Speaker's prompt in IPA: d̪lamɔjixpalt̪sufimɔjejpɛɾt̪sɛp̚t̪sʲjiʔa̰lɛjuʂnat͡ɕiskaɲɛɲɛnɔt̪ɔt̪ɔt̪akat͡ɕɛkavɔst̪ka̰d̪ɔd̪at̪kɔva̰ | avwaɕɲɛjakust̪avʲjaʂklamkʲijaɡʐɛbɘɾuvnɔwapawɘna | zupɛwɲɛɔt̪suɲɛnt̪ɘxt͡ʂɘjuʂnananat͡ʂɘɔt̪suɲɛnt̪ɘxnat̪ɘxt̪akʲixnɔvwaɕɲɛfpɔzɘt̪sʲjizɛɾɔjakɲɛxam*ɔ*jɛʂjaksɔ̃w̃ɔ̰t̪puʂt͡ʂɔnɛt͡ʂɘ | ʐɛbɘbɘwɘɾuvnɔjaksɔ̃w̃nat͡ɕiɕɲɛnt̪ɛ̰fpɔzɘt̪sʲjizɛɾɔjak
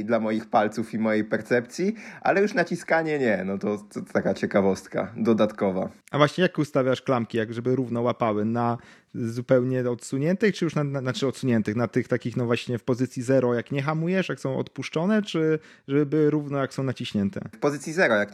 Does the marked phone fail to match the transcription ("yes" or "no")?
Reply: yes